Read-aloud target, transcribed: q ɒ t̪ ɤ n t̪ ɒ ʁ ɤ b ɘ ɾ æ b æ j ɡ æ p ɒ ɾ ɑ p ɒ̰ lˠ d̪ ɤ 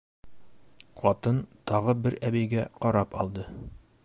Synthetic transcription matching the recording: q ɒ t̪ ɤ n t̪ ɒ ʁ ɤ b ɘ ɾ æ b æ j ɡ æ q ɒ ɾ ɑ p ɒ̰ lˠ d̪ ɤ